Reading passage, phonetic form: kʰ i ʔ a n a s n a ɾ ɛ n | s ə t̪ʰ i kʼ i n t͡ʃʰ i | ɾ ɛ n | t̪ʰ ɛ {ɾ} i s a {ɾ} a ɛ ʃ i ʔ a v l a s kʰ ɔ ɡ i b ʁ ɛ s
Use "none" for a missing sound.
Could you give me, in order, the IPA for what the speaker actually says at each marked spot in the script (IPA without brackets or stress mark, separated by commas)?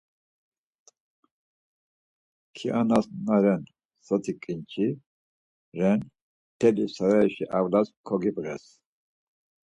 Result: l, ɾ